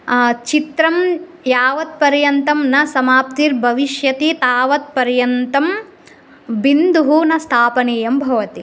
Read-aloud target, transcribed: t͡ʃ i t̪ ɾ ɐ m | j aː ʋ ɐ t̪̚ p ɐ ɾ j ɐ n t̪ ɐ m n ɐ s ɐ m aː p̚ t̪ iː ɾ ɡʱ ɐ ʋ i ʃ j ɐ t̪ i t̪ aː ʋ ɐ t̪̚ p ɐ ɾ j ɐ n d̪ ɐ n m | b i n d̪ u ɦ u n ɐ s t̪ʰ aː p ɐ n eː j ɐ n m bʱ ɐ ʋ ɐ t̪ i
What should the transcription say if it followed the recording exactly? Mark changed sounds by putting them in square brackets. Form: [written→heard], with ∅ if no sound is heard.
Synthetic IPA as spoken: t͡ʃ i t̪ ɾ ɐ m | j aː ʋ ɐ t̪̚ p ɐ ɾ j ɐ n t̪ ɐ m n ɐ s ɐ m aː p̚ t̪ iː ɾ [ɡʱ→bʱ] ɐ ʋ i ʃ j ɐ t̪ i t̪ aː ʋ ɐ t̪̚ p ɐ ɾ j ɐ n [d̪→t̪] ɐ [n→∅] m | b i n d̪ u ɦ u n ɐ s t̪ʰ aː p ɐ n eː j ɐ [n→∅] m bʱ ɐ ʋ ɐ t̪ i